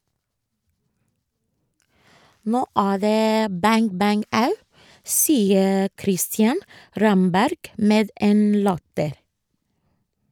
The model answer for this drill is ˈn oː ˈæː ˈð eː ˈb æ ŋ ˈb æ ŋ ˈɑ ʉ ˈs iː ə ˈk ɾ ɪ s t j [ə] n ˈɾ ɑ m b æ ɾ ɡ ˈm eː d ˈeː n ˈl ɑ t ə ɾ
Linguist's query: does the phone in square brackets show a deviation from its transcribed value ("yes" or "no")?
yes